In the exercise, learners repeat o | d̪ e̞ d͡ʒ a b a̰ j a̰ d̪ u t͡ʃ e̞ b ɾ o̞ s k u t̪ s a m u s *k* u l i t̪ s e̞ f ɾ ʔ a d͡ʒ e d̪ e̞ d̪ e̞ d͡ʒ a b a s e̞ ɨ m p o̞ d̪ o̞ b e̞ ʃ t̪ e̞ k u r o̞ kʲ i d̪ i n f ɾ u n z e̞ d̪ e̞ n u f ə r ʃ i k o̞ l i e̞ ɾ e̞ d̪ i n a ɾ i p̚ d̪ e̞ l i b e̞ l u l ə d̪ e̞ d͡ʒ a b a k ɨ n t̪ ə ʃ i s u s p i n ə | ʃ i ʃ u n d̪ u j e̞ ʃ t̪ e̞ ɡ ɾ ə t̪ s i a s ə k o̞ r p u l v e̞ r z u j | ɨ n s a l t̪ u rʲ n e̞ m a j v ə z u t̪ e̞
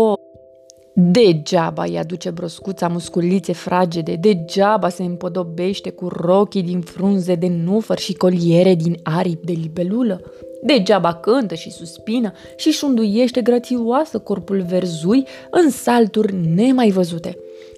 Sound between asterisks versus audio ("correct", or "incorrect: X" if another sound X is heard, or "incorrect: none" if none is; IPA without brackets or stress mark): correct